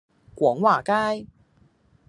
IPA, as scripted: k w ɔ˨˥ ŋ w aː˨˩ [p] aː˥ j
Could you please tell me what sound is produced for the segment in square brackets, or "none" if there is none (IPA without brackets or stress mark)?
k